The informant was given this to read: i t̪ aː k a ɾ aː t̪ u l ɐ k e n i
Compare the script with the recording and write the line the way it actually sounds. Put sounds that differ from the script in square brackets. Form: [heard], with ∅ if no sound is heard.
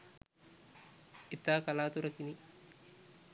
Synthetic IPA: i t̪ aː k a [l] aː t̪ u [ɾ] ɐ k [i] n i